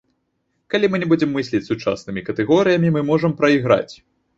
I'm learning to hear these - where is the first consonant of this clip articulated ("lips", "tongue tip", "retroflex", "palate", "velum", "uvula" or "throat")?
velum